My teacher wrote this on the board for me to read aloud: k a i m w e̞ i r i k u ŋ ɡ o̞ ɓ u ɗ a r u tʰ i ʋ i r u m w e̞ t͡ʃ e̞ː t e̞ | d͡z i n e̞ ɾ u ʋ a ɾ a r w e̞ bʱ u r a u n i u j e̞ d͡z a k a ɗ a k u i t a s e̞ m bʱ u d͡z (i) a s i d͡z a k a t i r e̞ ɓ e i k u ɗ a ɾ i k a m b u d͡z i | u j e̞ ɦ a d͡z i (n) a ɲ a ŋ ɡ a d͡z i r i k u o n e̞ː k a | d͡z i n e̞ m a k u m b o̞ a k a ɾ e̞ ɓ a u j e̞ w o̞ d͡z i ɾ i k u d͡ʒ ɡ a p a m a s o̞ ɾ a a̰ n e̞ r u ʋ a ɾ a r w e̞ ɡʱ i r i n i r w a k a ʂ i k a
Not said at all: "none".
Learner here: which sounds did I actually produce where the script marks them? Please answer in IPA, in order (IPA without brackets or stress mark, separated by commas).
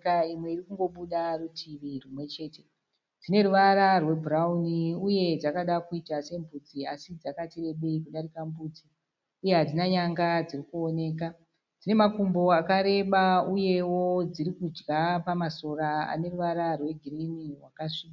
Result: i, n